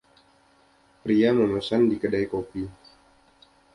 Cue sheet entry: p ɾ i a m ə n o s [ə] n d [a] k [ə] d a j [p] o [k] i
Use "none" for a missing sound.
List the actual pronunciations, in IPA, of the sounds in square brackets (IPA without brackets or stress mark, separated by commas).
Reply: a, i, ə, k, p